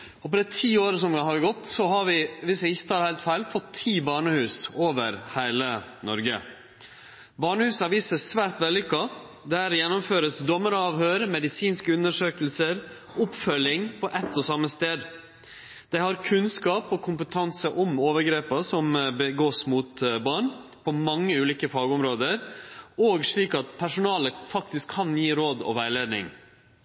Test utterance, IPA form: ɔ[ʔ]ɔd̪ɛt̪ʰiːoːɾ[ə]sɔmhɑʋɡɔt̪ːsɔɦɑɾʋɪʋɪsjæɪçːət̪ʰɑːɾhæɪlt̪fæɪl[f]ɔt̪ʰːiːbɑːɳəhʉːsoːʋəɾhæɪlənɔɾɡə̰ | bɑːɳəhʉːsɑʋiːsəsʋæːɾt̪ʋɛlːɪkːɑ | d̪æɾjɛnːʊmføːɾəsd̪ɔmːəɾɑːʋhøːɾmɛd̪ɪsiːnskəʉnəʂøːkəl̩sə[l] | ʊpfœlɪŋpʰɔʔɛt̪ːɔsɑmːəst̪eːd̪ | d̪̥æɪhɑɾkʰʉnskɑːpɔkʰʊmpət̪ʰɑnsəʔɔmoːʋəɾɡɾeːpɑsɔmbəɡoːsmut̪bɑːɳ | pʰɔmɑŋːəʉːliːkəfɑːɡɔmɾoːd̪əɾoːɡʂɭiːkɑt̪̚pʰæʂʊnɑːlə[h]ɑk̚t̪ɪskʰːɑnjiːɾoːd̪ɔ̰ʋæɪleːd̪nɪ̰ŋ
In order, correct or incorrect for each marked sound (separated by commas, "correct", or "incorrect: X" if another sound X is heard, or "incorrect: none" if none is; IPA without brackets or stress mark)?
incorrect: p, correct, correct, incorrect: ɾ, incorrect: f